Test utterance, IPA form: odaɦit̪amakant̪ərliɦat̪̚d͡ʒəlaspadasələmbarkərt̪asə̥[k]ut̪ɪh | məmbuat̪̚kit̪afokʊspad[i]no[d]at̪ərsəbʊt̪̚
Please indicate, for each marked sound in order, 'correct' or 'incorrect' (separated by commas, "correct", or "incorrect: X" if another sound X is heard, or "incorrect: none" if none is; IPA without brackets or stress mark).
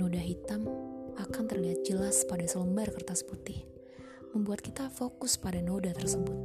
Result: incorrect: p, incorrect: a, correct